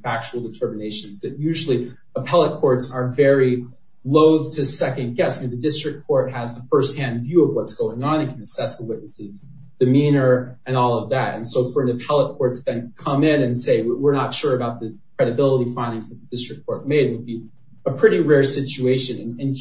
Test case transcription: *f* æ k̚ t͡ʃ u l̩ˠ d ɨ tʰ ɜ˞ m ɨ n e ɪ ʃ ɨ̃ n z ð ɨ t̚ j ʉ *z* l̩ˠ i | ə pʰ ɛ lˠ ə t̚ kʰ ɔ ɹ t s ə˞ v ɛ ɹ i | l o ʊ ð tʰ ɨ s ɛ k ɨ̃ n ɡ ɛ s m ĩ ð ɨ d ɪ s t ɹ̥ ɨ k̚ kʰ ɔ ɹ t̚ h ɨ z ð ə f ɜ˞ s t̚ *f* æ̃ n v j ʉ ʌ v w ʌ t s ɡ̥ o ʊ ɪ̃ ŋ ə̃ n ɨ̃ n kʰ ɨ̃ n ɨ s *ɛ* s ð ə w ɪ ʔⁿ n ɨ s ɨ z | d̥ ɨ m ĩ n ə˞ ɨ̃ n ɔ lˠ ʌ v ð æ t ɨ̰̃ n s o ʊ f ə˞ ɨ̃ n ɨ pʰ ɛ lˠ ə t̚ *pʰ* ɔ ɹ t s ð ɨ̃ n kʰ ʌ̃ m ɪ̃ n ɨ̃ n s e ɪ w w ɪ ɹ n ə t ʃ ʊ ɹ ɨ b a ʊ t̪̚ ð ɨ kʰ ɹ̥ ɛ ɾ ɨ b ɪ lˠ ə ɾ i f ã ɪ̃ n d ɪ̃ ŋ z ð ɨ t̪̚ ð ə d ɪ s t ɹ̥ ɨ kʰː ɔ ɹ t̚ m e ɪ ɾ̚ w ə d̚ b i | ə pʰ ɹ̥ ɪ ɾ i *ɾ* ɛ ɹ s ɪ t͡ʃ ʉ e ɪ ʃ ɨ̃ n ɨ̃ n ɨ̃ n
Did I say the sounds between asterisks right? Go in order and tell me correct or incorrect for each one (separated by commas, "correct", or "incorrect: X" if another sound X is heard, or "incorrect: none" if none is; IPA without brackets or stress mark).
correct, incorrect: ʒ, incorrect: h, correct, incorrect: kʰ, incorrect: ɹ